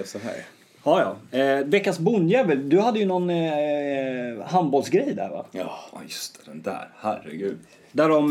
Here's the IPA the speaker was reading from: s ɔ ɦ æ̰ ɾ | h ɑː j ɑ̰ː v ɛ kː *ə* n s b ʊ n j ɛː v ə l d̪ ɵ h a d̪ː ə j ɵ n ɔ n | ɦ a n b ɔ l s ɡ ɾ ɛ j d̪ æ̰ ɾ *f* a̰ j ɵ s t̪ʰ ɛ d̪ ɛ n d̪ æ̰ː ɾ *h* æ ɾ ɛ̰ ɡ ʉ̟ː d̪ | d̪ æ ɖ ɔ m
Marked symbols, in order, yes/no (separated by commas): no, no, yes